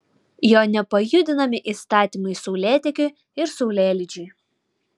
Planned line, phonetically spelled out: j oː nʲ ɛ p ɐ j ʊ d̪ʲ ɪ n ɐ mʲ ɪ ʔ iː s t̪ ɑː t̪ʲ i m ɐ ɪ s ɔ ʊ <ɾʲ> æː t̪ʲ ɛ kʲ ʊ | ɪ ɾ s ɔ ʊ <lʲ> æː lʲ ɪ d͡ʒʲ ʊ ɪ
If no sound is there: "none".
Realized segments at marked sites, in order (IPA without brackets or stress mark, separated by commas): lʲ, lʲ